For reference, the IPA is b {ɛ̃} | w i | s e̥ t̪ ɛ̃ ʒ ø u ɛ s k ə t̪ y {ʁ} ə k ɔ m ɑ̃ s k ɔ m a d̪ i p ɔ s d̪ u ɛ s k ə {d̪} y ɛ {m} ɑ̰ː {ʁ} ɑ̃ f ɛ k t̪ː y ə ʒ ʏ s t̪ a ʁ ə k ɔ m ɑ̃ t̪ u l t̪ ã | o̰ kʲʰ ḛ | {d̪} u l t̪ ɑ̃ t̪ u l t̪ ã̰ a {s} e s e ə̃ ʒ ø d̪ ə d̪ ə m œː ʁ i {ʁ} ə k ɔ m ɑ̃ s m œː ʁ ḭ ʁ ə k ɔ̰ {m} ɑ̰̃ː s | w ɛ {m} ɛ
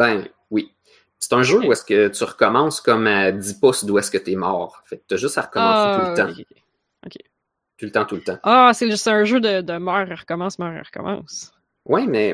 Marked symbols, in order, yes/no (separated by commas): yes, yes, no, yes, yes, no, yes, yes, yes, yes